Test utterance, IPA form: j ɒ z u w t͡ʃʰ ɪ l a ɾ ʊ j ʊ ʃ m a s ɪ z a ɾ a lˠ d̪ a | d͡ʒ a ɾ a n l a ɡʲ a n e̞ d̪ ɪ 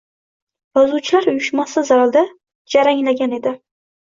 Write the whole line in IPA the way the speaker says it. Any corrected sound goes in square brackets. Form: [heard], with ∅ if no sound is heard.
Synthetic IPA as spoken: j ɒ z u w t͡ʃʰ ɪ l a ɾ ʊ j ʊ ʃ m a s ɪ z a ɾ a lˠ d̪ a | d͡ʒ a ɾ a [ŋ] l a ɡʲ a n e̞ d̪ ɪ